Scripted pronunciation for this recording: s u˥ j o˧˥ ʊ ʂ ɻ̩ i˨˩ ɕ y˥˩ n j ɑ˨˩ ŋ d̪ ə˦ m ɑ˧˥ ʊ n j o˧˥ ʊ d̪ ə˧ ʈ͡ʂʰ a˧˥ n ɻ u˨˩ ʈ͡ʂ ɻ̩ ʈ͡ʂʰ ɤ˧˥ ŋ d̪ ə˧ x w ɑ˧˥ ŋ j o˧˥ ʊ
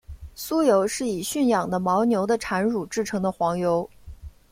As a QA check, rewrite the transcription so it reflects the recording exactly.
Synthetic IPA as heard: s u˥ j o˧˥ ʊ ʂ ɻ̩ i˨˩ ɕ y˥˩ n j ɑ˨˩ ŋ d̪ ə˦ m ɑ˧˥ ʊ n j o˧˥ ʊ d̪ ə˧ ʈ͡ʂʰ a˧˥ n ɻ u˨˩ ʈ͡ʂ ɻ̩ ʈ͡ʂʰ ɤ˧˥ ŋ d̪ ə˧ x w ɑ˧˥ ŋ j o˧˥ ʊ